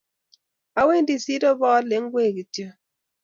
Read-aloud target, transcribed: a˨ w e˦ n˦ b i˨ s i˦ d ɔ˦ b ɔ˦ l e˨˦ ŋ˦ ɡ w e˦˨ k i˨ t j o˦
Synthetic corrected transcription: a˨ w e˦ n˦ d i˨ s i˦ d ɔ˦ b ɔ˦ l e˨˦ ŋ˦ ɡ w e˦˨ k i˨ t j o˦